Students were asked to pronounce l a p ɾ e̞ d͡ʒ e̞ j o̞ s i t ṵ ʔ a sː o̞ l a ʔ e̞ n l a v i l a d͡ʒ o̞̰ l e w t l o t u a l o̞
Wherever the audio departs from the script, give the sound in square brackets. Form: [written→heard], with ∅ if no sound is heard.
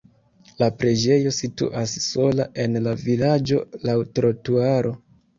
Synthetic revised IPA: l a p ɾ e̞ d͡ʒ e̞ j o̞ s i t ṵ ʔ a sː o̞ l a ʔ e̞ n l a v i l a d͡ʒ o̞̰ l [e→a] w t [l→ɾ] o t u a [l→ɾ] o̞